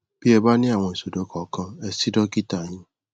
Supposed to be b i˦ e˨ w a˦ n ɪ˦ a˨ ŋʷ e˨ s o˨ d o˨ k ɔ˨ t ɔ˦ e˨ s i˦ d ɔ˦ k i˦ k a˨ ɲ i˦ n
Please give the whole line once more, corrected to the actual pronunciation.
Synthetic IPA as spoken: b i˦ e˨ b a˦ n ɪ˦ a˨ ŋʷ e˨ s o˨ d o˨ k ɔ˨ k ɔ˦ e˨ s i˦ d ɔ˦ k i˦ t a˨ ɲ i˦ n